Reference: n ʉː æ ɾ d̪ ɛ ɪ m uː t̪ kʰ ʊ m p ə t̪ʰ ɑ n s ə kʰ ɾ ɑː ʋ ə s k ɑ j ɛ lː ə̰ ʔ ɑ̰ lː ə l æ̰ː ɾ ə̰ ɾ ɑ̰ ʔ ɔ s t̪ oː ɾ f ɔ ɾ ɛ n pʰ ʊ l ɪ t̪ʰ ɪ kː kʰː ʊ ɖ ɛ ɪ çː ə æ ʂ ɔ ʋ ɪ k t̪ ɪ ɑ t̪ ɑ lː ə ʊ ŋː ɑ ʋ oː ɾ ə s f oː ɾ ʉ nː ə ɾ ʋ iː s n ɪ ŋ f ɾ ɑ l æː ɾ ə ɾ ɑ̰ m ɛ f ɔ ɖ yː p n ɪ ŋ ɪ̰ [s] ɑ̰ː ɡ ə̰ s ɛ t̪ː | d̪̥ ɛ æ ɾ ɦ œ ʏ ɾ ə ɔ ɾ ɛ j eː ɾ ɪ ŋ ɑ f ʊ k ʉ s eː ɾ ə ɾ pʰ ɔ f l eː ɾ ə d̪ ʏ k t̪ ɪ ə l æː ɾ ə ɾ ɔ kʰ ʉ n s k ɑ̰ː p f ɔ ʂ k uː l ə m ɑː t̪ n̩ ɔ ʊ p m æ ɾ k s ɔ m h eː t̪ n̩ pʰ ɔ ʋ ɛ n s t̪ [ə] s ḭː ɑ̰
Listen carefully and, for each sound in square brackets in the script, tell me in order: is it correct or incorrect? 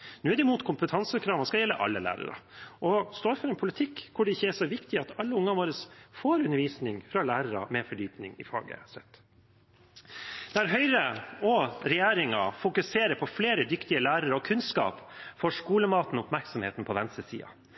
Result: incorrect, correct

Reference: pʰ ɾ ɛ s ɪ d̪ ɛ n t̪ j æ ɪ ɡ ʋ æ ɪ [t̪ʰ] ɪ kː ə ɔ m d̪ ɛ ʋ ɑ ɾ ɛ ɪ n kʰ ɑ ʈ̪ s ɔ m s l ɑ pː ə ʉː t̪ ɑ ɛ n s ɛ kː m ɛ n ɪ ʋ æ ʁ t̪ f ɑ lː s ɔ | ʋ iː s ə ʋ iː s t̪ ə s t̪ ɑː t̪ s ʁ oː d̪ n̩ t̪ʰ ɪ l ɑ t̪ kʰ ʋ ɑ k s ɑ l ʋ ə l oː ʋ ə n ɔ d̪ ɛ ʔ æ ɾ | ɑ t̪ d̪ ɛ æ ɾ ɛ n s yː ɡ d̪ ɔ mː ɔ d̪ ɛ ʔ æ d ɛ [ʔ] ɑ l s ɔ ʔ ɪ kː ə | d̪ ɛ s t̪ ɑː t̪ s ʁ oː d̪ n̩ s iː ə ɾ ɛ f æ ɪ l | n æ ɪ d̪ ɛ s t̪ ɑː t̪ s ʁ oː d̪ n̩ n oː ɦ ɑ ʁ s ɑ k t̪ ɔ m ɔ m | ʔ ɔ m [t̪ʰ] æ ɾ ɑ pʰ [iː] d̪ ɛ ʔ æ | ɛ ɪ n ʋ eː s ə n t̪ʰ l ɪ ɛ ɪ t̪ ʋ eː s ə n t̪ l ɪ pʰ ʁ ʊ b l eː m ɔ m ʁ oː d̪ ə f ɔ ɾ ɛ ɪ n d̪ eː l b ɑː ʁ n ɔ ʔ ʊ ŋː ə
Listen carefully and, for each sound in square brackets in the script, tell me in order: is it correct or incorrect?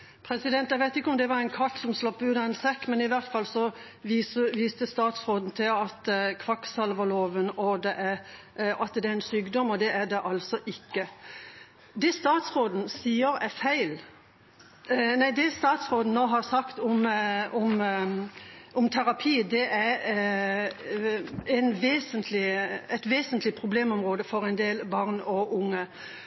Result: incorrect, correct, correct, correct

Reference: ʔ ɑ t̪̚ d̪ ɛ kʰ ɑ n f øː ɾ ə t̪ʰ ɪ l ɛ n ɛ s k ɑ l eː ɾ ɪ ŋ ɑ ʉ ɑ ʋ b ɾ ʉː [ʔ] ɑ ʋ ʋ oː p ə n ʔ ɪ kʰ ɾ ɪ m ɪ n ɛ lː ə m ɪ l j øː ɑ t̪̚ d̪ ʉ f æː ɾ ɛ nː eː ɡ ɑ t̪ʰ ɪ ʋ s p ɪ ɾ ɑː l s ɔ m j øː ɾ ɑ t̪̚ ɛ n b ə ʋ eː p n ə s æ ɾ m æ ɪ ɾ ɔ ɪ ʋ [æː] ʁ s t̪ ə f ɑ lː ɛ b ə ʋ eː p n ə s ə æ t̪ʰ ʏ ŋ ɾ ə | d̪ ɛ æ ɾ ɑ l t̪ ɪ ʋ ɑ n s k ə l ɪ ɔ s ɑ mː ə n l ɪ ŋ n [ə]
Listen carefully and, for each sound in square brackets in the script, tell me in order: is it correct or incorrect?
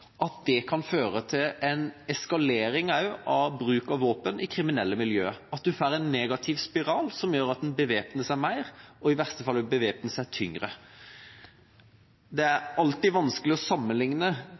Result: incorrect, incorrect, correct

